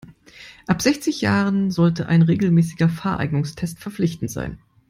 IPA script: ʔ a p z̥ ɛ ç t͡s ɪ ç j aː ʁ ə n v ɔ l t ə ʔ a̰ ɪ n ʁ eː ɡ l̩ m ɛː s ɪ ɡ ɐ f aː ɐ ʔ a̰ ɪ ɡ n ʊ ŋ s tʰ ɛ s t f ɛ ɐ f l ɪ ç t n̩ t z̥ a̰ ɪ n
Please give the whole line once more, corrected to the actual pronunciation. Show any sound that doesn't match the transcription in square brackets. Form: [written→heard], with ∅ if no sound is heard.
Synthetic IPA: ʔ a p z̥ ɛ ç t͡s ɪ ç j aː ʁ ə n [v→z] ɔ l t ə ʔ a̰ ɪ n ʁ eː ɡ l̩ m ɛː s ɪ ɡ ɐ f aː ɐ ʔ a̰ ɪ ɡ n ʊ ŋ s tʰ ɛ s t f ɛ ɐ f l ɪ ç t n̩ t z̥ a̰ ɪ n